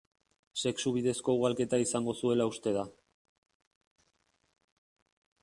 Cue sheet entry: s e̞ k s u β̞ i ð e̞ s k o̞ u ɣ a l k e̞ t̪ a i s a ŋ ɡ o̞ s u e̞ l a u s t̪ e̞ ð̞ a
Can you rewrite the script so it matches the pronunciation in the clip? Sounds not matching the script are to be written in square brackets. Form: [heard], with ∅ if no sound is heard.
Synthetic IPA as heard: s e̞ k s u β̞ i ð e̞ s k o̞ u ɣ a l k e̞ t̪ a i s a ŋ ɡ o̞ s u e̞ l a u s t̪ e̞ ð̞ a